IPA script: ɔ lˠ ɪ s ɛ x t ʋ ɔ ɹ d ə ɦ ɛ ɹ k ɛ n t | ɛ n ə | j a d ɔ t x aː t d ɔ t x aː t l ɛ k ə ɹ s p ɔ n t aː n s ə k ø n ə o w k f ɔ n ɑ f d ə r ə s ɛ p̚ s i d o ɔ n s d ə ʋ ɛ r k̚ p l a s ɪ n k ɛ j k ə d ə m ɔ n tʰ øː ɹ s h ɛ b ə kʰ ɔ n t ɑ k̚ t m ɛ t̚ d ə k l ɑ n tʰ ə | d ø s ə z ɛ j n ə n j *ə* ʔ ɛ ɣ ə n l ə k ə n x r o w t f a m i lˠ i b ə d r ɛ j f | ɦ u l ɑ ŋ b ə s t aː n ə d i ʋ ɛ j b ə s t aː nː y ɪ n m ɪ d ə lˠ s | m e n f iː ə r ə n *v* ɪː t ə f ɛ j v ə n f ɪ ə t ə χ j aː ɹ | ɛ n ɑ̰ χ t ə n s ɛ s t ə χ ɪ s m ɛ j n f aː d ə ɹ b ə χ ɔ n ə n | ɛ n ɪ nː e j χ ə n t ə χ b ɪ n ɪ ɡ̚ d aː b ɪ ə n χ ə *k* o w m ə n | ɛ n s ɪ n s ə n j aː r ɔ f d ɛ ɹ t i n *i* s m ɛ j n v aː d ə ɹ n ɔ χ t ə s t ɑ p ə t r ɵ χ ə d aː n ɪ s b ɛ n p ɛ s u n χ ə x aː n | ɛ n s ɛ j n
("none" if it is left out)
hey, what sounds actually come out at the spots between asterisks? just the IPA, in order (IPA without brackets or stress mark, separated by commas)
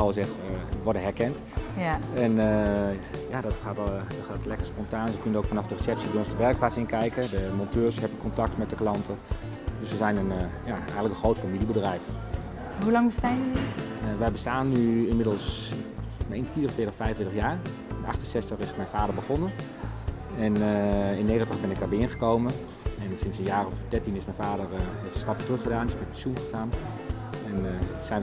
a, f, k, ɪ